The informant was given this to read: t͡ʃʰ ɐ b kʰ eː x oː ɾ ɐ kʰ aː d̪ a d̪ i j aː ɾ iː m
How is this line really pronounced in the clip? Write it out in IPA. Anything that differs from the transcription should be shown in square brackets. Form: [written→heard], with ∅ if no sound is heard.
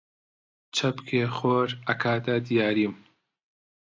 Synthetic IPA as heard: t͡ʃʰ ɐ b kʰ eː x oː ɾ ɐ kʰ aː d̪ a d̪ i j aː ɾ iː m